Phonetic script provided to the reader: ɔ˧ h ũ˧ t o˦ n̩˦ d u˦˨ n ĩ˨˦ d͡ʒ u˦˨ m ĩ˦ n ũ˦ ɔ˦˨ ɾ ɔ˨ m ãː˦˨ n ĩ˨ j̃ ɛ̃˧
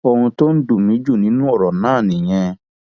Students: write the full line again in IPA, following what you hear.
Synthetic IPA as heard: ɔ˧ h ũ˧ t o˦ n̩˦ d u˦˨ m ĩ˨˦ d͡ʒ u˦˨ n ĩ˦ n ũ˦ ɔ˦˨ ɾ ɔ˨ n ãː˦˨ n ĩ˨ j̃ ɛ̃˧